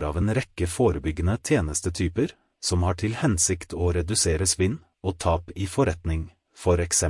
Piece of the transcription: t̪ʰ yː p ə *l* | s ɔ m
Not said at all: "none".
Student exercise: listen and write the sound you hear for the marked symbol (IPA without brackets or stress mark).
ɾ